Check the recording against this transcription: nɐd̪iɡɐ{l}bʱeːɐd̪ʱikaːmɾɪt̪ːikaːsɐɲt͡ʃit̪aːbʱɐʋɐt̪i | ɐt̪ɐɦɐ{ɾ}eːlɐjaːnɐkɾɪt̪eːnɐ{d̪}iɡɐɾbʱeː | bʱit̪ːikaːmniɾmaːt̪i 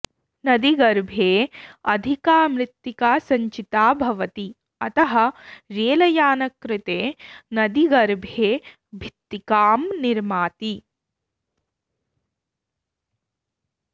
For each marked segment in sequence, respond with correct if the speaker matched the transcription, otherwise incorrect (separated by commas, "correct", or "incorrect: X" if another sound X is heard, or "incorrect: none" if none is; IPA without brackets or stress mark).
incorrect: ɾ, correct, correct